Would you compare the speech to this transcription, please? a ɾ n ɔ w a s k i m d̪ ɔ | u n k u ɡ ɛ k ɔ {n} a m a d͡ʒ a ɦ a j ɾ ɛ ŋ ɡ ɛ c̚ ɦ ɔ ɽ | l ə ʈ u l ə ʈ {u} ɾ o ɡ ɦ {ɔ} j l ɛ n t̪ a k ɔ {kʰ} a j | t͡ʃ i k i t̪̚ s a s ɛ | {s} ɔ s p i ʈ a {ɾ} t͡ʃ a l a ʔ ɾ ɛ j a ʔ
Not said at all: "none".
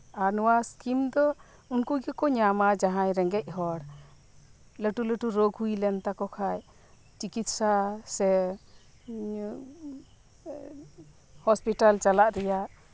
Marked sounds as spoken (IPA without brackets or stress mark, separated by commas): ɲ, u, u, kʰ, h, l